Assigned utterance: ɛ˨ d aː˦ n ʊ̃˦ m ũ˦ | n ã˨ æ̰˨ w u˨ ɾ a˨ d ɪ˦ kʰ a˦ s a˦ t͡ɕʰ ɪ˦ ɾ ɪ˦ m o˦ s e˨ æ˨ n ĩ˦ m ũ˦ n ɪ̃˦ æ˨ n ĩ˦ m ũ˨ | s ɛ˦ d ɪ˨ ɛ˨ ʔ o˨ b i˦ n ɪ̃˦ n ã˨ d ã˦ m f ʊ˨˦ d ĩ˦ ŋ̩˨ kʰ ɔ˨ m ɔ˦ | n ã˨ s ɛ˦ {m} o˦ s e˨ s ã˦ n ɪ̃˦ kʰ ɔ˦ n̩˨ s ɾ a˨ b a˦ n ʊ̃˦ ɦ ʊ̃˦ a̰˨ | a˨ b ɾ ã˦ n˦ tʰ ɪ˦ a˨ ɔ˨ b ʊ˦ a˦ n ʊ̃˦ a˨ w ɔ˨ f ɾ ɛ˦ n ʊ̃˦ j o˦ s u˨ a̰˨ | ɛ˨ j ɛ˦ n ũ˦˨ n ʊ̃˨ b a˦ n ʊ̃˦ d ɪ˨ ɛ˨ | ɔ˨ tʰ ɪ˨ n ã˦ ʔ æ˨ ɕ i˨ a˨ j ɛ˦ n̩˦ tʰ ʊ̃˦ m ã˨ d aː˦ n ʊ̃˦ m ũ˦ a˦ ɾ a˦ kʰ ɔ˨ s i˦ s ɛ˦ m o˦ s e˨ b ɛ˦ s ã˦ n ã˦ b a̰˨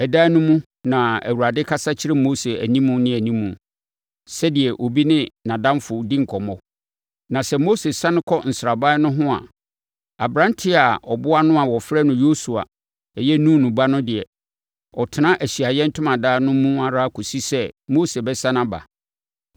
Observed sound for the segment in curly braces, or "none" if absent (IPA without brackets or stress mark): m